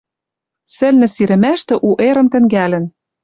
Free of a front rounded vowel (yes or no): yes